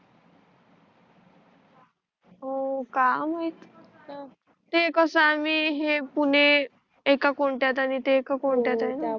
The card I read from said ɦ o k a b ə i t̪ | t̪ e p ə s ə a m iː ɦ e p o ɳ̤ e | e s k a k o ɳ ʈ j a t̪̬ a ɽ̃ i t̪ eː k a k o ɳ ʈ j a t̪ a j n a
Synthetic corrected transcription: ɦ o k a m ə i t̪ | t̪ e k ə s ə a m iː ɦ e p u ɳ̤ e | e k a k o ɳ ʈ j a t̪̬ a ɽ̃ i t̪ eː k a k o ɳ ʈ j a t̪ a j n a

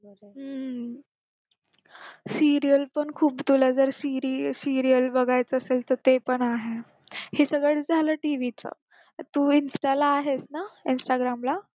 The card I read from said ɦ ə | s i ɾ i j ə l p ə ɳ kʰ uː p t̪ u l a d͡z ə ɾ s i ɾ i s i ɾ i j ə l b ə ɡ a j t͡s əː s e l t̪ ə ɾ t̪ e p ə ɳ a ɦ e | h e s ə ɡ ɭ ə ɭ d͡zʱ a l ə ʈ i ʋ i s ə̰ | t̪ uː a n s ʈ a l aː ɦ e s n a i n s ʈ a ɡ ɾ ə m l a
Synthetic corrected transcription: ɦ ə | s i ɾ i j ə l p ə ɳ kʰ uː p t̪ u l a d͡z ə ɾ s i ɾ i s i ɾ i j ə l b ə ɡ a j t͡s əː s e l t̪ ə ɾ t̪ e p ə ɳ a ɦ e | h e s ə ɡ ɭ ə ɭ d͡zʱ a l ə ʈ i ʋ i t͡s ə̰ | t̪ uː i n s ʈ a l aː ɦ e s n a i n s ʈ a ɡ ɾ a m l a

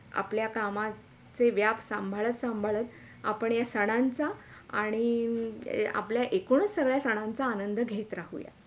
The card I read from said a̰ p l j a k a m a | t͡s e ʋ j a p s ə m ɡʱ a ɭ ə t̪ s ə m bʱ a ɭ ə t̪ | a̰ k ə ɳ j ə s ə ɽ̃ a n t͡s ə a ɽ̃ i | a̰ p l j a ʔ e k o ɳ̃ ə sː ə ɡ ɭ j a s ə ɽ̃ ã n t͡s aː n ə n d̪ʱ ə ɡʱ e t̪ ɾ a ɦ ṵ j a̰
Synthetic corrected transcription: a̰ p l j a k a m a | t͡s e ʋ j a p s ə m bʱ a ɭ ə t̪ s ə m bʱ a ɭ ə t̪ | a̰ p ə ɳ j a s ə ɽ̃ a n t͡s a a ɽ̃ i | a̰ p l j a ʔ e k o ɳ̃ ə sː ə ɡ ɭ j a s ə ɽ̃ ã n t͡s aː n ə n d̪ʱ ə ɡʱ e t̪ ɾ a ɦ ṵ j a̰

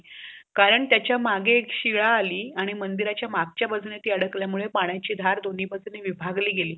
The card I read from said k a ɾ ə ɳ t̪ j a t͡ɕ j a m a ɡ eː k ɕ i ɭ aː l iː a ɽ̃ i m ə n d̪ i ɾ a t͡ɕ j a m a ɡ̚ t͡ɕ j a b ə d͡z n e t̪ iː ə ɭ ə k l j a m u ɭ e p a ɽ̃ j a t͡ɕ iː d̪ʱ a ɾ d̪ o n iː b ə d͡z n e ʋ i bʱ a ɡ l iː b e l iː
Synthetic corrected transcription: k a ɾ ə ɳ t̪ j a t͡ɕ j a m a ɡ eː k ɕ i ɭ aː l iː a ɽ̃ i m ə n d̪ i ɾ a t͡ɕ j a m a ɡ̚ t͡ɕ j a b ə d͡z n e t̪ iː ə ɽ ə k l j a m u ɭ e p a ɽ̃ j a t͡ɕ iː d̪ʱ a ɾ d̪ o n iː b ə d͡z n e ʋ i bʱ a ɡ l iː ɡ e l iː

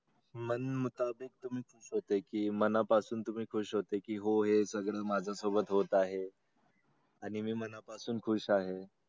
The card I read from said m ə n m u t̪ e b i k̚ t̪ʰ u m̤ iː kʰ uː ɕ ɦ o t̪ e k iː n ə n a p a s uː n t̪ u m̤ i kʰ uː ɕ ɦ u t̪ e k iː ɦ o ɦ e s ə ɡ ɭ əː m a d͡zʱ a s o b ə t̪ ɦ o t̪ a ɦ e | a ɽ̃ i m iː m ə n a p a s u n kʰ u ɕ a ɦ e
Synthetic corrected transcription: m ə n m u t̪ a b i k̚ t̪ u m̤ iː kʰ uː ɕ ɦ o t̪ e k iː m ə n a p a s uː n t̪ u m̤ iː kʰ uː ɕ ɦ o t̪ e k iː ɦ o ɦ e s ə ɡ ɭ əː m a d͡zʱ a s o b ə t̪ ɦ o t̪ a ɦ e | a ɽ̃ i m iː m ə n a p a s uː n kʰ u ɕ a ɦ e

